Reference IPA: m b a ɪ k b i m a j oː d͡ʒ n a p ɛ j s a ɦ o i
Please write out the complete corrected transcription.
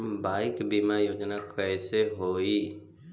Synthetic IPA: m b a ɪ k b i m a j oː d͡ʒ n a k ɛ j s e ɦ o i